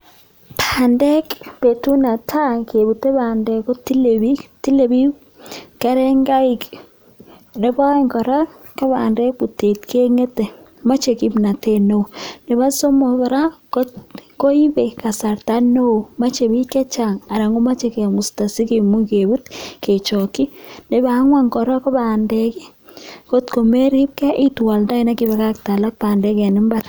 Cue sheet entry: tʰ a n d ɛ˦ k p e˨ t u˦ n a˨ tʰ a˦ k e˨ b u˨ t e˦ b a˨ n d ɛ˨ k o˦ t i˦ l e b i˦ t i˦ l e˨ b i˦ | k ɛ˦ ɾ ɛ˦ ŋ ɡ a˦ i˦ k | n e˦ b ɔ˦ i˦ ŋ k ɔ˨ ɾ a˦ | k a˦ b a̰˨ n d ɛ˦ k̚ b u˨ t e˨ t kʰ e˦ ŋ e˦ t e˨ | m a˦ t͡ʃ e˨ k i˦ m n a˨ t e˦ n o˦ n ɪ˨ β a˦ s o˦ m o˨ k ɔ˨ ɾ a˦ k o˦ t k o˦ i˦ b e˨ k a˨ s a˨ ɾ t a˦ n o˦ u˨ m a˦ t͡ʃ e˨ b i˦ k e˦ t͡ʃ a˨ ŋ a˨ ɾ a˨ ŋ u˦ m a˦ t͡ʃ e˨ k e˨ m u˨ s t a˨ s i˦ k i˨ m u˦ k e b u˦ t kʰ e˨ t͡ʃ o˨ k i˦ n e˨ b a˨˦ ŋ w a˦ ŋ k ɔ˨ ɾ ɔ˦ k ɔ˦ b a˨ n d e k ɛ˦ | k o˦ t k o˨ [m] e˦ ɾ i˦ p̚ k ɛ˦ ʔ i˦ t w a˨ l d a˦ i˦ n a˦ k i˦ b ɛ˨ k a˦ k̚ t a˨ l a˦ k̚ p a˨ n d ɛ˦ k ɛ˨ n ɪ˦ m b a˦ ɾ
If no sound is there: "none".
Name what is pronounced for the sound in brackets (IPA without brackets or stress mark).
m